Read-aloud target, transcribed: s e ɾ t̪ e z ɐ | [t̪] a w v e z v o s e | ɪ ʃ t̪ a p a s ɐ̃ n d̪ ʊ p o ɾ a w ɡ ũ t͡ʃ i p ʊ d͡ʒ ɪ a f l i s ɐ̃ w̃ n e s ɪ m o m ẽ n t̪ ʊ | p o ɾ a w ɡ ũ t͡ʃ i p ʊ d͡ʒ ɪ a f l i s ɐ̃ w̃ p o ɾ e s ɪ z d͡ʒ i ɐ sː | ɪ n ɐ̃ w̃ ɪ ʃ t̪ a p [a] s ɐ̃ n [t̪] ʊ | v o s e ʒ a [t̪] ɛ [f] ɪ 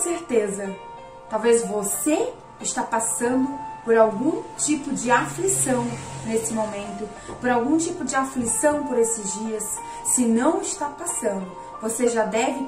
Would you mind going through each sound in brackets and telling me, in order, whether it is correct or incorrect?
correct, correct, incorrect, incorrect, incorrect

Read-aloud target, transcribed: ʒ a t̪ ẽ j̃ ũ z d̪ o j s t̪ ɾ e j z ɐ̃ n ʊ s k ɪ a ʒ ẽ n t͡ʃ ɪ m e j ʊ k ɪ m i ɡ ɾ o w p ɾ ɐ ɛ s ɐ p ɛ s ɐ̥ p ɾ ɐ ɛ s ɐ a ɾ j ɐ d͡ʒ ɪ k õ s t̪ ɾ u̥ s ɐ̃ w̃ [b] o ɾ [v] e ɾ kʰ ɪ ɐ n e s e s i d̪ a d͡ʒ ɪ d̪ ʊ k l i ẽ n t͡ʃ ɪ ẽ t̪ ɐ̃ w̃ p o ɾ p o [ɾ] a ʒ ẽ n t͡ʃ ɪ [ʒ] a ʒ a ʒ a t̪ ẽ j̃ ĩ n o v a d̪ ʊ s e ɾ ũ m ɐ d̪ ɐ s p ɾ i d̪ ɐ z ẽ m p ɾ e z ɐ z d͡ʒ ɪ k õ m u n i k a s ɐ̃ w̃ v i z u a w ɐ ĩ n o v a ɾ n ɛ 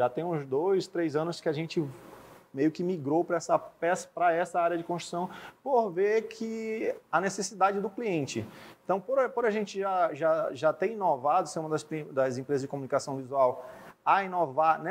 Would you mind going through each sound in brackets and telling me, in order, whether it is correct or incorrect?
incorrect, correct, correct, correct

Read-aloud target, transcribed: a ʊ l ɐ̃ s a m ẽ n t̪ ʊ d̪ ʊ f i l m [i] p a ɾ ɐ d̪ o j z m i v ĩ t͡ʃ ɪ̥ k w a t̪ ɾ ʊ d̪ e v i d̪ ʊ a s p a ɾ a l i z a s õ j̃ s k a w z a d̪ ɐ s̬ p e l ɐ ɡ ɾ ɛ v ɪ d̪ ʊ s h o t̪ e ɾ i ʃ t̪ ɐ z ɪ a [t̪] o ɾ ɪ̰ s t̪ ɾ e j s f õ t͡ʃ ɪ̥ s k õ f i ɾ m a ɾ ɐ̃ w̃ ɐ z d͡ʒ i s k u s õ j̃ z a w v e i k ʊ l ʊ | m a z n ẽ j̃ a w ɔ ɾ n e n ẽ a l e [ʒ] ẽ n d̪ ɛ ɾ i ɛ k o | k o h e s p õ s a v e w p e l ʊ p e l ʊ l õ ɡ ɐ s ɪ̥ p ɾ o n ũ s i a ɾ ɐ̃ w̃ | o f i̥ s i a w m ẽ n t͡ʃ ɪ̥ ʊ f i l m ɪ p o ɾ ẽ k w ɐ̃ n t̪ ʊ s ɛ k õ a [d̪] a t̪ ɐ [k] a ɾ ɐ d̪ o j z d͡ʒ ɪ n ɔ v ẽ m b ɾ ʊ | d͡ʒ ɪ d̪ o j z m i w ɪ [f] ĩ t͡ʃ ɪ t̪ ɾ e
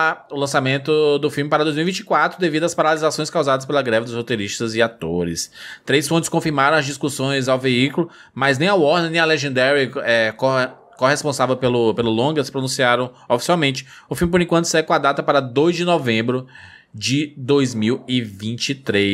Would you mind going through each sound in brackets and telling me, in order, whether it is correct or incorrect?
incorrect, correct, correct, correct, incorrect, incorrect

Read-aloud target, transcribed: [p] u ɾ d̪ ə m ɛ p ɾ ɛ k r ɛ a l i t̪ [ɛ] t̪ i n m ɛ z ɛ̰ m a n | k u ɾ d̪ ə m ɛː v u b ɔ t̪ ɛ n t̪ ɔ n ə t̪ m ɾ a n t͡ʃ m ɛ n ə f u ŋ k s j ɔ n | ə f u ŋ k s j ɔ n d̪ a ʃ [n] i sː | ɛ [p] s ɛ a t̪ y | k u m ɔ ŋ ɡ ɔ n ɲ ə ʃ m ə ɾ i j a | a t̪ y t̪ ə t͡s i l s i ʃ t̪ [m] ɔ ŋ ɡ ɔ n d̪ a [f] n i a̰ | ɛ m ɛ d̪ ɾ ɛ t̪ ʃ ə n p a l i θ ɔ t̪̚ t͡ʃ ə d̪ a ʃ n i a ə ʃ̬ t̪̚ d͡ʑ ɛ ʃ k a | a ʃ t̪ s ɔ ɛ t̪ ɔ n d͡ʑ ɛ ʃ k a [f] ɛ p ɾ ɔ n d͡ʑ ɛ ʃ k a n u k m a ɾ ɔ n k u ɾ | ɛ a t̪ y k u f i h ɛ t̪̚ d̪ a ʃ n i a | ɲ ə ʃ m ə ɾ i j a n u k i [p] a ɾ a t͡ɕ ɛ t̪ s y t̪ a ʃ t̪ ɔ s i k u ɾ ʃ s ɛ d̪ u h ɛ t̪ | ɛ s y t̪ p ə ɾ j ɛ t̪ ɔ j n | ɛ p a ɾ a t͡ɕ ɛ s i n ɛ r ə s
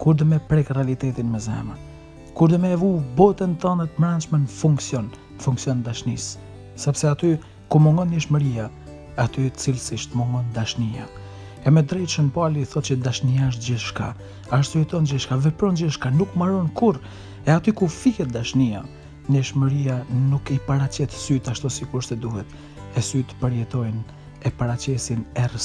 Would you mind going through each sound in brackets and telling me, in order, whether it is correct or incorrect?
incorrect, correct, correct, correct, correct, incorrect, incorrect, correct

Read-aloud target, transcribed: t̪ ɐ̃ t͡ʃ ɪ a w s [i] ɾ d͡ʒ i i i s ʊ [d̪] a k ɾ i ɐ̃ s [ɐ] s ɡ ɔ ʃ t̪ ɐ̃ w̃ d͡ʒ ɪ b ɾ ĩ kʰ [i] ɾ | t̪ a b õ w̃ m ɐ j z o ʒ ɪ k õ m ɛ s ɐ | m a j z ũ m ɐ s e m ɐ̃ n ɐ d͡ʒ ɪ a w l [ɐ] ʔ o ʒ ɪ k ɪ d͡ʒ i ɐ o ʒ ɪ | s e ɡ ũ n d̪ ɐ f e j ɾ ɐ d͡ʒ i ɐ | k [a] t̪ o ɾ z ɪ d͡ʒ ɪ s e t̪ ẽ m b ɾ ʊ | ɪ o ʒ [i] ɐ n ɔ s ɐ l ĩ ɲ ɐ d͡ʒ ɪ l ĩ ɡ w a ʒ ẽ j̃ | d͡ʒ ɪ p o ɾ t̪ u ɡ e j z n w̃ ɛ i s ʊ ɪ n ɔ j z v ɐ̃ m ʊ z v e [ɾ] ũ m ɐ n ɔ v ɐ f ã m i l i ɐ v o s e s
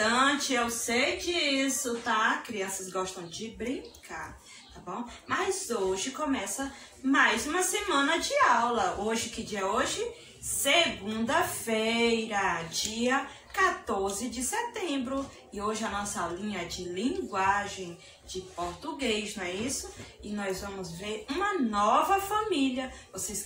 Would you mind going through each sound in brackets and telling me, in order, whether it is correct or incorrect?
incorrect, incorrect, correct, incorrect, correct, correct, incorrect, correct

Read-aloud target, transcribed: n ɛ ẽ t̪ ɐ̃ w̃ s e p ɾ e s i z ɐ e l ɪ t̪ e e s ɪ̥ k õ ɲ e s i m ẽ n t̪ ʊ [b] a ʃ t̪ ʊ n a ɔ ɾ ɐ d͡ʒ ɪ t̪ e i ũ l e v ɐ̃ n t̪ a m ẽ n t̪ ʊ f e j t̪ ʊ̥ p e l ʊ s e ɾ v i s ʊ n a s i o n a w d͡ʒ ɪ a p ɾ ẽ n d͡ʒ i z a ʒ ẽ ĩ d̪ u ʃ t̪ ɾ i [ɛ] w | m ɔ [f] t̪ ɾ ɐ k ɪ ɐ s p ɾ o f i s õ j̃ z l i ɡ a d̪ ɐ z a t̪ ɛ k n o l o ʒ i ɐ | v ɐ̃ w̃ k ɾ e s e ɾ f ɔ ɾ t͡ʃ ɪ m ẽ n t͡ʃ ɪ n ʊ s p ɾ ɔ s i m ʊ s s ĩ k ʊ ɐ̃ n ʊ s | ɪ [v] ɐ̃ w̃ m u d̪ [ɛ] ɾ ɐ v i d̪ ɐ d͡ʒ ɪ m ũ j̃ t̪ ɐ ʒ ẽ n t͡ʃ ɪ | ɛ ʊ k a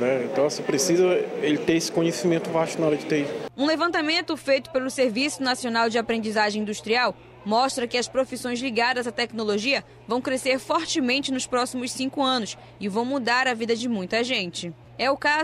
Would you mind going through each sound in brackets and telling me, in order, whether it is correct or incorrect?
incorrect, incorrect, incorrect, correct, incorrect

